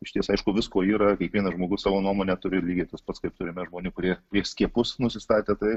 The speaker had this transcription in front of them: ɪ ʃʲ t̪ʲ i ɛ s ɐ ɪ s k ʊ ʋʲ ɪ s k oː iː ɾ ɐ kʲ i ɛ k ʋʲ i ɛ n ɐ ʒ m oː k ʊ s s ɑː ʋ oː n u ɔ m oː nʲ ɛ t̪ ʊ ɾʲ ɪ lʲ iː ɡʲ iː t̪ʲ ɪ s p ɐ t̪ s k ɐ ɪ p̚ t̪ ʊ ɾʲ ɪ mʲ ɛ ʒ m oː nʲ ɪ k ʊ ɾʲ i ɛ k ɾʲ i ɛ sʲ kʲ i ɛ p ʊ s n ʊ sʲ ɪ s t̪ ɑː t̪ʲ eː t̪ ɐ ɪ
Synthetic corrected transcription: ɪ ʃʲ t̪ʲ i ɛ s ɐ ɪ ʃ k ʊ ʋʲ ɪ s k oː iː ɾ ɐ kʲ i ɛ k ʋʲ i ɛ n ɐ ʒ m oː ɡ ʊ s s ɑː ʋ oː n u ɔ m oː nʲ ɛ t̪ ʊ ɾʲ ɪ lʲ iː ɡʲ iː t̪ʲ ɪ s p ɐ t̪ s k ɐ ɪ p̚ t̪ ʊ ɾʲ ɪ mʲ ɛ ʒ m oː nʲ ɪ k ʊ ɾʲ i ɛ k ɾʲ i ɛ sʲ kʲ i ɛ p ʊ s n ʊ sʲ ɪ s t̪ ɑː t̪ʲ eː t̪ ɐ ɪ